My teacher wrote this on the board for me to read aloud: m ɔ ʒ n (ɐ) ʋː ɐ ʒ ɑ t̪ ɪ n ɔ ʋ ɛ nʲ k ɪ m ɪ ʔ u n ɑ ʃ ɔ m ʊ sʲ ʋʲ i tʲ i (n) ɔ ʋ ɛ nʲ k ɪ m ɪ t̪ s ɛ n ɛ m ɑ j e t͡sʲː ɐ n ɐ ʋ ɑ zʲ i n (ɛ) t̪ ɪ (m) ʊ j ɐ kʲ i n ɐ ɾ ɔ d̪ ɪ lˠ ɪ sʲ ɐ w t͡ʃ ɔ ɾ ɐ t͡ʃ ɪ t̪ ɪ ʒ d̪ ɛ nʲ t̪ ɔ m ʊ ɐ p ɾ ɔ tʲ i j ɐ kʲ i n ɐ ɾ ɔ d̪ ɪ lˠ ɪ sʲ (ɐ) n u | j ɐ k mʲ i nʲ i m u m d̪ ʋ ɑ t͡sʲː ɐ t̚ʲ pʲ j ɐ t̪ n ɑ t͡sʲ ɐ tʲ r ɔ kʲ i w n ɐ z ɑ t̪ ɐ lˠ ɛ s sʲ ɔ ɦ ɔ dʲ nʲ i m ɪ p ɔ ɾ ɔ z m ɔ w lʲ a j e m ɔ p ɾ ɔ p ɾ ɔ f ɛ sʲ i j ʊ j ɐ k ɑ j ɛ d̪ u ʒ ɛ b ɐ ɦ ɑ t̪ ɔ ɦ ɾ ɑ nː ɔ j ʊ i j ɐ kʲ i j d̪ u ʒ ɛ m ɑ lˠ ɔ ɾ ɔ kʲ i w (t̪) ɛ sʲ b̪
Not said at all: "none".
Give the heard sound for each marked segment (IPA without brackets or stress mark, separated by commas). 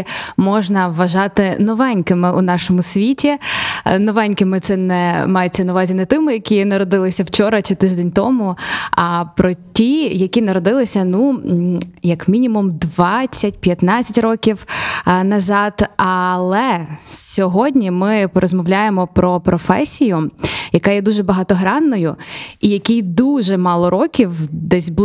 ɐ, n, ɛ, m, ɐ, d̪